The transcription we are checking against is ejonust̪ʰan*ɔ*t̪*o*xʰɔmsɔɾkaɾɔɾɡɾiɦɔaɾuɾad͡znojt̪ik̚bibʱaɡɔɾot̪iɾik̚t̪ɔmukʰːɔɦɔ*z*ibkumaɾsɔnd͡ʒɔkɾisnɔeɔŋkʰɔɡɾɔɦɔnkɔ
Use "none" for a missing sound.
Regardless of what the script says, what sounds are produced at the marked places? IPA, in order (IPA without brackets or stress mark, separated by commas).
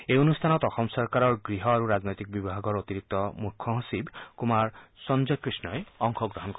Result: ɔ, ɔ, s